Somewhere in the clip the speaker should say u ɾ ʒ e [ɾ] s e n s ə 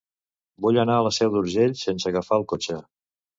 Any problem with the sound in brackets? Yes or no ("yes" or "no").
yes